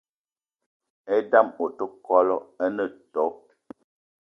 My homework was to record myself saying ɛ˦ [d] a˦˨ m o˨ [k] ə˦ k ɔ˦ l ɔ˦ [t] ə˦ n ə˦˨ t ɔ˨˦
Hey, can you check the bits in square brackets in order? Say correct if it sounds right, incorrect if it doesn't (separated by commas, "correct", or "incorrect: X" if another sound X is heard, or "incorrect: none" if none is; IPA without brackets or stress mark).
correct, incorrect: t, incorrect: none